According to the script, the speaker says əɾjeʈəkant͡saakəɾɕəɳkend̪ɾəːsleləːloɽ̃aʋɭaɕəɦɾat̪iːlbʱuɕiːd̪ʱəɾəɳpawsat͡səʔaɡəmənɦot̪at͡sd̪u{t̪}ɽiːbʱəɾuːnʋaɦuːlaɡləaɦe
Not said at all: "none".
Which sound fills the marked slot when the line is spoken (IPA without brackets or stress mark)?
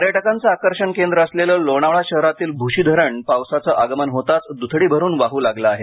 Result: t̪ʰ